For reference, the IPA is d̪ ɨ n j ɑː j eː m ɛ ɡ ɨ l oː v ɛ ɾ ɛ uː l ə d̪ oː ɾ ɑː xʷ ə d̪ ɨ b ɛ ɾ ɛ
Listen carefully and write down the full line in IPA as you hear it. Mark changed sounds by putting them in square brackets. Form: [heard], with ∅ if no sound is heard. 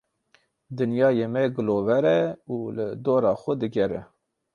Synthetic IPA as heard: d̪ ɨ n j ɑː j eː m ɛ ɡ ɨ l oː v ɛ ɾ ɛ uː l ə d̪ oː ɾ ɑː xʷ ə d̪ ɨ [ɡ] ɛ ɾ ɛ